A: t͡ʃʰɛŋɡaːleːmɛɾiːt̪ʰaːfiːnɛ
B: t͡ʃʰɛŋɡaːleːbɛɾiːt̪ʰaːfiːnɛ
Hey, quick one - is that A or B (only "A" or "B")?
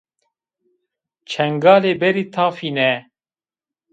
B